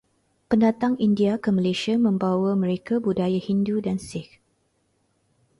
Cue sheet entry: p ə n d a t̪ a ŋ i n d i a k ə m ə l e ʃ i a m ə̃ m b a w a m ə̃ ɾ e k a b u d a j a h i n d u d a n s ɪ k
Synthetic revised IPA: p ə n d a t̪ a ŋ i n d i a k ə m ə l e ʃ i a m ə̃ m b a w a m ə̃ ɾ e k a b u d a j a h i n d u d a n s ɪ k

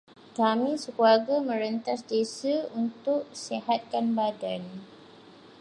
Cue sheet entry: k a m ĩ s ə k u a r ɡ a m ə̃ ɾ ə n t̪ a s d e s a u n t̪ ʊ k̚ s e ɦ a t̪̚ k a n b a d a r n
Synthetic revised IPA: k a m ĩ s ə k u a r ɡ a m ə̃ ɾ ə n t̪ a s d e s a u n t̪ ʊ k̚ s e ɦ a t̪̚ k a n b a d a n

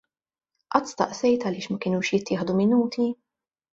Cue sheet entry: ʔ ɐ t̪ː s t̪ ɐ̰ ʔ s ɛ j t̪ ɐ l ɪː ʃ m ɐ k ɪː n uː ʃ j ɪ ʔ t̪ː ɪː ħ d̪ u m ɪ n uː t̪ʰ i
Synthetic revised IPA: ʔ ɐ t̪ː s t̪ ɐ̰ ʔ s ɛ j t̪ ɐ l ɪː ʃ m ɐ k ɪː n uː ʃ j ɪ t̪ː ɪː ħ d̪ u m ɪ n uː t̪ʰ i

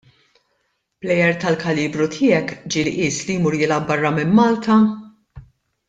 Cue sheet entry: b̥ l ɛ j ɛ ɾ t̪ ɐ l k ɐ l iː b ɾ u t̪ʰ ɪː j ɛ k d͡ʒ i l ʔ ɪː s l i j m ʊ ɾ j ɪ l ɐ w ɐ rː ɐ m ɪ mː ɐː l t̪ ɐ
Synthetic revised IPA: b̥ l ɛ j ɛ ɾ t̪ ɐ l k ɐ l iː b ɾ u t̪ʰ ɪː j ɛ k d͡ʒ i l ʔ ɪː s l i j m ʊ ɾ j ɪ l ɐ b ɐ rː ɐ m ɪ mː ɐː l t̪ ɐ

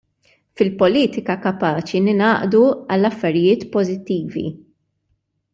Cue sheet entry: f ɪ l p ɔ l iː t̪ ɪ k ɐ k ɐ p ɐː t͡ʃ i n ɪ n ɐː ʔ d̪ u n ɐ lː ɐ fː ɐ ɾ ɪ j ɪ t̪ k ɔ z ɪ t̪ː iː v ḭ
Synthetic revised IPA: f ɪ l p ɔ l iː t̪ ɪ k ɐ k ɐ p ɐː t͡ʃ i n ɪ n ɐː ʔ d̪ u ɐ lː ɐ fː ɐ ɾ ɪ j ɪː t̪ p ɔ z ɪ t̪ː iː v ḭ

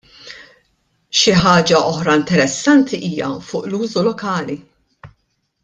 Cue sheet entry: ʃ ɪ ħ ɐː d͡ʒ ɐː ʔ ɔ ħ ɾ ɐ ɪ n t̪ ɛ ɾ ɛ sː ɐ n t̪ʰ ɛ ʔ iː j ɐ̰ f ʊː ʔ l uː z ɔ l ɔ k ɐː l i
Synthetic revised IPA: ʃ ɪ ħ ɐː d͡ʒ ɐ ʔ ɔ ħ ɾ ɐ ɪ n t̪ ɛ ɾ ɛ sː ɐ n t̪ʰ i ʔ iː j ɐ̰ f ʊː ʔ l uː z u l ɔ k ɐː l i

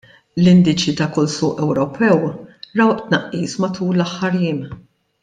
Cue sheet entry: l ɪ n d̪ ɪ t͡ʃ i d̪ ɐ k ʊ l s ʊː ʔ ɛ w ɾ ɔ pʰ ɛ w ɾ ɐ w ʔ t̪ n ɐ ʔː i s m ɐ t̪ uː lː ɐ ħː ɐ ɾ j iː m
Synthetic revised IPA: l ɪ n d̪ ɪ t͡ʃ i t̪ ɐ k ʊ l s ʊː ʔ ɛ w ɾ ɔ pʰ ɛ w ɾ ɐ w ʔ t̪ n ɐ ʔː iː s m ɐ t̪ uː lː ɐ ħː ɐ ɾ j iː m

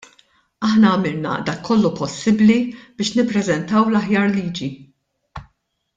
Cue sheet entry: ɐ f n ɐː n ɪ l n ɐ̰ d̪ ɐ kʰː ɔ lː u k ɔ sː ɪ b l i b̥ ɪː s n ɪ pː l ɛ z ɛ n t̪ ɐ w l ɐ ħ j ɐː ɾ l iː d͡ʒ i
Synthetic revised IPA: ɐ ħ n ɐː m ɪ l n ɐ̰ d̪ ɐ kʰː ɔ lː u p ɔ sː ɪ b l i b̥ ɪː ʃ n ɪ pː ɾ ɛ z ɛ n t̪ ɐ w l ɐ ħ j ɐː ɾ l iː d͡ʒ i

